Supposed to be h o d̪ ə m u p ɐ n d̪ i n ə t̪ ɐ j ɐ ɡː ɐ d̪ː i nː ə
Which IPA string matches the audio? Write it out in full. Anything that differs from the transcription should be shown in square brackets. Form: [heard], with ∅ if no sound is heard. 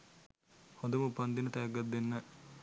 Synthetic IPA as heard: h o d̪ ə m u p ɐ n d̪ i n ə t̪ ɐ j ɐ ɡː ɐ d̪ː [e] nː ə